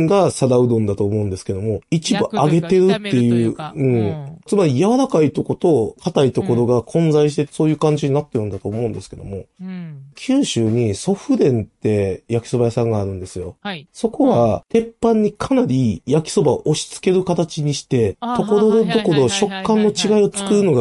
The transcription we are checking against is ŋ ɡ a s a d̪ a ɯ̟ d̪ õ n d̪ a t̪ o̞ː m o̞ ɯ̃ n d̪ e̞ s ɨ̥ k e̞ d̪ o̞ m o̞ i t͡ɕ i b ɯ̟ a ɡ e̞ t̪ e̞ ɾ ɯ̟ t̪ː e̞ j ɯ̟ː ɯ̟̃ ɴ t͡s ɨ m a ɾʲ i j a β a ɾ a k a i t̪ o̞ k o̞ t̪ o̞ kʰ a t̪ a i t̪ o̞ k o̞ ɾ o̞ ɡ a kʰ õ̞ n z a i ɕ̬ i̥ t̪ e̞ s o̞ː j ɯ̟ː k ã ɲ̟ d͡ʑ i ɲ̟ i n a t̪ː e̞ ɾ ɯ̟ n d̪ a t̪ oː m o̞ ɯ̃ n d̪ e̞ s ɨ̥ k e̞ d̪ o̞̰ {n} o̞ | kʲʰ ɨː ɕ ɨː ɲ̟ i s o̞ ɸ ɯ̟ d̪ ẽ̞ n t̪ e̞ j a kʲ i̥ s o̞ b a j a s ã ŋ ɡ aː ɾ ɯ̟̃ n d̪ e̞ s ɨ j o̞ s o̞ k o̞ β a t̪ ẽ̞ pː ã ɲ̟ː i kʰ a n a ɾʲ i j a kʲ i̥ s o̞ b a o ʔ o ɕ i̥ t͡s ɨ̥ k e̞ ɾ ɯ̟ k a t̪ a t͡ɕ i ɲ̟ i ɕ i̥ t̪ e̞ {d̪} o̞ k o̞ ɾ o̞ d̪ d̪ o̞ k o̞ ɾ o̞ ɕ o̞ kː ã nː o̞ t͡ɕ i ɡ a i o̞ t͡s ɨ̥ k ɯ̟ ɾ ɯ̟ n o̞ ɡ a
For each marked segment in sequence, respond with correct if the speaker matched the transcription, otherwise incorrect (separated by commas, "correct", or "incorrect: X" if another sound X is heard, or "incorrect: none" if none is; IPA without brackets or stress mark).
incorrect: m, incorrect: t̪